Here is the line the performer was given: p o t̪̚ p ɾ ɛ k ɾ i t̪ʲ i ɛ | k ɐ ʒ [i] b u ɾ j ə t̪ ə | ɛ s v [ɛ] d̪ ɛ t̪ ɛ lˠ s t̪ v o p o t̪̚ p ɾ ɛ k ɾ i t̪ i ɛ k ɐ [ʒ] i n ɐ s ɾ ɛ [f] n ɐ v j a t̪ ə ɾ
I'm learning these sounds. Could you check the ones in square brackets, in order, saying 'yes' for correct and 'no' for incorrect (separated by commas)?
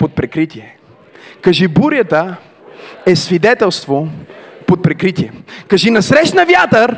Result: yes, no, yes, no